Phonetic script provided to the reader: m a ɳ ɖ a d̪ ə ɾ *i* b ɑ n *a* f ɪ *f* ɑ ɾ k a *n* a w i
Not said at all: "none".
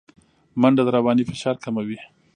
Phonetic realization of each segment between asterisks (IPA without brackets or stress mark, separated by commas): a, i, ʃ, m